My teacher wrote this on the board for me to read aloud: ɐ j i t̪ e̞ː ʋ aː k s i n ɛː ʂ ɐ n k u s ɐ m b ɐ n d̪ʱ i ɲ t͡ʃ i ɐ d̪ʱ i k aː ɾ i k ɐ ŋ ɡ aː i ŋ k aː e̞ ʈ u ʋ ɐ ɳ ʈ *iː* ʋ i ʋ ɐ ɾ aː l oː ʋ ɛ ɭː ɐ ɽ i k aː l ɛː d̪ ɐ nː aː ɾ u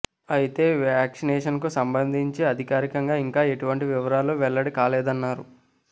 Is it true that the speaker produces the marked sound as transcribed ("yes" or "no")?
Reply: no